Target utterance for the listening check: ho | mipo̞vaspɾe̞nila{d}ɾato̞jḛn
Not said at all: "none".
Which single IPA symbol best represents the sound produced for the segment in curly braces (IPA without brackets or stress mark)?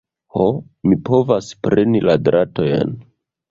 d